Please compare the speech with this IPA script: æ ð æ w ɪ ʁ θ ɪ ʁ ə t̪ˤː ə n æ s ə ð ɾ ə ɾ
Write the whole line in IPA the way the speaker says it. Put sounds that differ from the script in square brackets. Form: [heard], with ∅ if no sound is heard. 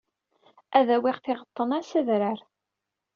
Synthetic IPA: æ ð æ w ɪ ʁ θ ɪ ʁ ə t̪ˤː ə n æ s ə ð ɾ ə ɾ